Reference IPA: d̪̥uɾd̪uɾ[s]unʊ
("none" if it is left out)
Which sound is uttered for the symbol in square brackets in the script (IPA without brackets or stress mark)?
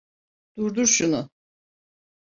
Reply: ʃ